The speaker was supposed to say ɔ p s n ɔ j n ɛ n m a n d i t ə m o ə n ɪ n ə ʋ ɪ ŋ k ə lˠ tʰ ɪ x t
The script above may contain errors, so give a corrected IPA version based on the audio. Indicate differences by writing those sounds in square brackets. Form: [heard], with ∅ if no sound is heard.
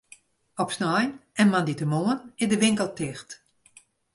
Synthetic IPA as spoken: ɔ p s n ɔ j n ɛ n m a n d i t ə m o ə n ɪ [d] ə ʋ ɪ ŋ k ə lˠ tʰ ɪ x t